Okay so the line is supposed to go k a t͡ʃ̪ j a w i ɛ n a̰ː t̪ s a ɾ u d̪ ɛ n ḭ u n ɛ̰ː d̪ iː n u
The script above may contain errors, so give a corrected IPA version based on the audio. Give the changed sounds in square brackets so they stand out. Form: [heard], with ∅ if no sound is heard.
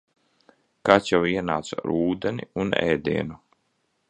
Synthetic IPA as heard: k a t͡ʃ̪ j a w i ɛ n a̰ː t̪ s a ɾ [uː] d̪ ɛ n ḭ u n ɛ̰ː d̪ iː n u